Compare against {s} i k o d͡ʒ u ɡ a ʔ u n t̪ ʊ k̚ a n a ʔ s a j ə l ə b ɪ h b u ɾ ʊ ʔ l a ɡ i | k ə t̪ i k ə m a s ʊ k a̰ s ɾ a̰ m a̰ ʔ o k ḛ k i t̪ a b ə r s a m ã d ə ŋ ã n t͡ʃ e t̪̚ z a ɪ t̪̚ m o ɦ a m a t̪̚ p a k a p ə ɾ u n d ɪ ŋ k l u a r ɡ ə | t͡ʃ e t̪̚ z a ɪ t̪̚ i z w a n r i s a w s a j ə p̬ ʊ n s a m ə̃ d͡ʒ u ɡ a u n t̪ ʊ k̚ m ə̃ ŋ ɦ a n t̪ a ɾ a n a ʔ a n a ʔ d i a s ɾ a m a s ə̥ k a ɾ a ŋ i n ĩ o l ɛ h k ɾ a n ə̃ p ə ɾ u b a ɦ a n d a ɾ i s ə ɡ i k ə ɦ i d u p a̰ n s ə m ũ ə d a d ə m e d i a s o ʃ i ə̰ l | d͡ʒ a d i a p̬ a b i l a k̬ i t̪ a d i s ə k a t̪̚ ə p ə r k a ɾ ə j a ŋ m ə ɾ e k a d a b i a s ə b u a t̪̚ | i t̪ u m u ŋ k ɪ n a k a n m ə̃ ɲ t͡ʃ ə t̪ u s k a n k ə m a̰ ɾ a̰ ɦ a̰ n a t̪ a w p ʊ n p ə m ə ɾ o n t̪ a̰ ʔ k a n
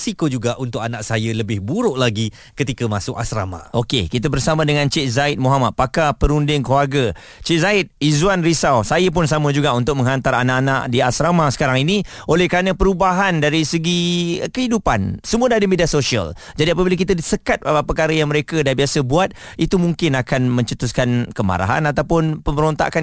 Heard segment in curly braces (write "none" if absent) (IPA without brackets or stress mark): s